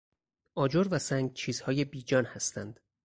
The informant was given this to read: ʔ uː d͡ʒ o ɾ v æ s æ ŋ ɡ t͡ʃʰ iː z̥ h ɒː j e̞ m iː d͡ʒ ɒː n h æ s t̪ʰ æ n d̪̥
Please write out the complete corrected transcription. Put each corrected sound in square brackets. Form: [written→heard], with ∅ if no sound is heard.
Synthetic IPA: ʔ [uː→ɒː] d͡ʒ o ɾ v æ s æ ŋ ɡ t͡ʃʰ iː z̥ h ɒː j e̞ [m→b] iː d͡ʒ ɒː n h æ s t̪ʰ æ n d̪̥

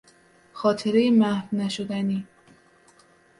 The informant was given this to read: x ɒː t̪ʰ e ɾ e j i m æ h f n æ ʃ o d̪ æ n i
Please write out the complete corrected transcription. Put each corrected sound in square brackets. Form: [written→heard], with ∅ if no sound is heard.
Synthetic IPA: x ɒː t̪ʰ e ɾ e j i m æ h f n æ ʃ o d̪ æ n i

